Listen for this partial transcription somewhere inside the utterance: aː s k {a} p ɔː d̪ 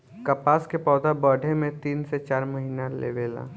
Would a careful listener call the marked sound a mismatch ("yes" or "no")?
yes